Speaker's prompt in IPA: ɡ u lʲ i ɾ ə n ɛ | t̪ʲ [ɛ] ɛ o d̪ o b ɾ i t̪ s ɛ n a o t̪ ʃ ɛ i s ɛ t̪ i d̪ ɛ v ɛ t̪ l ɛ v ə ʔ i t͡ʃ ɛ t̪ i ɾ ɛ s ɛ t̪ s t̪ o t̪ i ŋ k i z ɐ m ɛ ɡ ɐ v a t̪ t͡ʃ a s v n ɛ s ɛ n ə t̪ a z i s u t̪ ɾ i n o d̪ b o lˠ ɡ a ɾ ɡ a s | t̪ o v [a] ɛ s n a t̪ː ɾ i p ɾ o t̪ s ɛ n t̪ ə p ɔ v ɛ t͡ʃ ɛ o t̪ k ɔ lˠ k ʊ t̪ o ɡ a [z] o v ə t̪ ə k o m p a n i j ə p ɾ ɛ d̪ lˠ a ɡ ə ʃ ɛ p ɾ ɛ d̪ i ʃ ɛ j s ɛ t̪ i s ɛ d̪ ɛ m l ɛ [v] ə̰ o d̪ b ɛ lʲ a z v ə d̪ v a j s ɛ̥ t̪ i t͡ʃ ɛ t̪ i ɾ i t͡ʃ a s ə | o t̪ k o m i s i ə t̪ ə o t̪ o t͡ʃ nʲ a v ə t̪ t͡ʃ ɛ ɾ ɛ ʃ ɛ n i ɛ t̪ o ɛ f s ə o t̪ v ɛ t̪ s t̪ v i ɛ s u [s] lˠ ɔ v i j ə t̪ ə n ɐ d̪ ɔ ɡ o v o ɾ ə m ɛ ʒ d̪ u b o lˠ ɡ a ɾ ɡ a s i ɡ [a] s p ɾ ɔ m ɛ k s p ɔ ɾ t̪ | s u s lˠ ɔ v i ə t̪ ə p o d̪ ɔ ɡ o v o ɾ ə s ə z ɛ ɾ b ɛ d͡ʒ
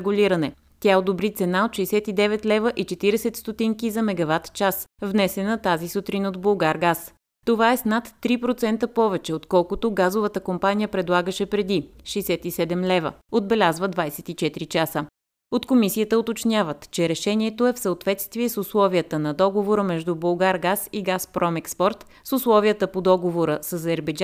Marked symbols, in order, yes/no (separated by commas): no, yes, yes, yes, yes, yes